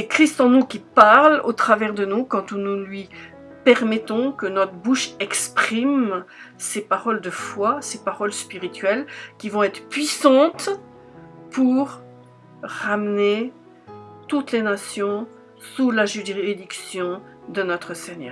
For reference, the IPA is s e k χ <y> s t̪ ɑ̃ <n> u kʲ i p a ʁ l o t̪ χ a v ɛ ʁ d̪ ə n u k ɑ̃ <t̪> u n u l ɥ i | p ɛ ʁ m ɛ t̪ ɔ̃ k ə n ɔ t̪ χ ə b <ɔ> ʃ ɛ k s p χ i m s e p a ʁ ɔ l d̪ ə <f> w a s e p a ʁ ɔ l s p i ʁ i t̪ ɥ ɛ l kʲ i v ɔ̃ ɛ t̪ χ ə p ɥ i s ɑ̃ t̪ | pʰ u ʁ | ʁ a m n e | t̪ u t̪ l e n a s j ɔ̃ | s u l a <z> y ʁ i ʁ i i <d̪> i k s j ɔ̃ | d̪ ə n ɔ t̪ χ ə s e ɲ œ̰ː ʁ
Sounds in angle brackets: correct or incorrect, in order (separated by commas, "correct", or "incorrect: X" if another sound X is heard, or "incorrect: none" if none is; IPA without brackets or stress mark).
incorrect: i, correct, correct, incorrect: u, correct, incorrect: ʒ, correct